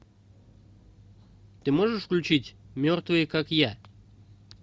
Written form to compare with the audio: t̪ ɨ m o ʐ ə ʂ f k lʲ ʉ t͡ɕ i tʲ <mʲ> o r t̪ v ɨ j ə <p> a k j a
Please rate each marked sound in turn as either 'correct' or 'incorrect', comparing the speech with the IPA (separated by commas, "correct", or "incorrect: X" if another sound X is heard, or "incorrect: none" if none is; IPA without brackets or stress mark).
correct, incorrect: k